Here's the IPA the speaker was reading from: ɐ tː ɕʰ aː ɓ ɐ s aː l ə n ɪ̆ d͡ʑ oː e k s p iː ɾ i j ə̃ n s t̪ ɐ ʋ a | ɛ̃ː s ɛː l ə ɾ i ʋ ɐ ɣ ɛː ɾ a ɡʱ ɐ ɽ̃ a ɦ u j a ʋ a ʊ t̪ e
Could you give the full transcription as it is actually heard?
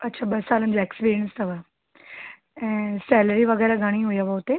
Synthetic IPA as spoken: ɐ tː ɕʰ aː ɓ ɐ s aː l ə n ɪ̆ d͡ʑ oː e k s p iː ɾ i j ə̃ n s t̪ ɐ ʋ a | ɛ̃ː s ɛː l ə ɾ i ʋ ɐ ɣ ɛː ɾ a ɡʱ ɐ ɽ̃ i ɦ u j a ʋ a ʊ t̪ e